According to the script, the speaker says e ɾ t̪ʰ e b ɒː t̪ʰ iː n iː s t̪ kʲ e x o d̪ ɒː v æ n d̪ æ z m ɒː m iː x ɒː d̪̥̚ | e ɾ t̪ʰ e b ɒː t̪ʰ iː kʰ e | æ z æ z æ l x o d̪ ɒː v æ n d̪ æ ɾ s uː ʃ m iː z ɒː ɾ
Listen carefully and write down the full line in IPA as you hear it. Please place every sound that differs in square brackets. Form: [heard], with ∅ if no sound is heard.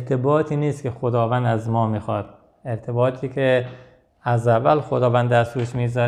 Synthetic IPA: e ɾ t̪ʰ e b ɒː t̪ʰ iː n iː s t̪ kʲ e x o d̪ ɒː v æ n d̪ æ z m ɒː m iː x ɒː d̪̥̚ | e ɾ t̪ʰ e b ɒː t̪ʰ iː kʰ e | æ z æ [v] æ l x o d̪ ɒː v æ n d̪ æ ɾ s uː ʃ m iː z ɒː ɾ